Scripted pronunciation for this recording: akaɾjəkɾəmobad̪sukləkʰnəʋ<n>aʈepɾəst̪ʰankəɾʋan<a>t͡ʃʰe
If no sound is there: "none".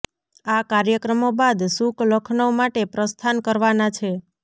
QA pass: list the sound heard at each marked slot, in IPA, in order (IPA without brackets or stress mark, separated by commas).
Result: m, a